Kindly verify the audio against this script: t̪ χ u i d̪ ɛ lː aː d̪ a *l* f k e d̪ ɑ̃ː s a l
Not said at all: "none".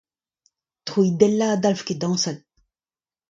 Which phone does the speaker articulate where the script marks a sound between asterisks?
l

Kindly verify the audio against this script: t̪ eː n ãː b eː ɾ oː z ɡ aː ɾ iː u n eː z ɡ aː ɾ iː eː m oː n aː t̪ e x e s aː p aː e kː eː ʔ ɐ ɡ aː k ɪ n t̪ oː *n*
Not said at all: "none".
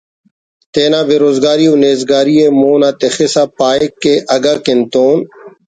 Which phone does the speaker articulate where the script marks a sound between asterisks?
n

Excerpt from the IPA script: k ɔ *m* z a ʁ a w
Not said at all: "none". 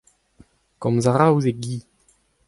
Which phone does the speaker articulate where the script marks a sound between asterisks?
m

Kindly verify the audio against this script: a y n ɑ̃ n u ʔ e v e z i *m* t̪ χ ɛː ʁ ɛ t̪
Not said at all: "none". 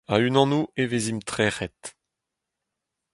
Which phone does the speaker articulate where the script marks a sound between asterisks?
m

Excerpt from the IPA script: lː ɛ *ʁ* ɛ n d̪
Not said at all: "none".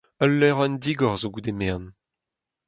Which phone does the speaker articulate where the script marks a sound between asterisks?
ʁ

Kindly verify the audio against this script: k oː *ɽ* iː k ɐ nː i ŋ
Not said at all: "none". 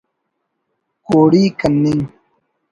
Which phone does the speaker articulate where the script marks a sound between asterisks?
ɽ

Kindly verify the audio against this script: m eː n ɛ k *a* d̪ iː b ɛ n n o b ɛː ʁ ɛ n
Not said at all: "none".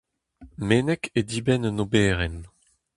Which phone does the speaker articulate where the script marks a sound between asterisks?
e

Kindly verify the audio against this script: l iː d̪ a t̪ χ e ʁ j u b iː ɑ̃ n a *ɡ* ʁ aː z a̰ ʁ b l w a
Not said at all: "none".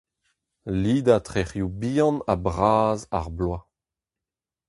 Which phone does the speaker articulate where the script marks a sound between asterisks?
b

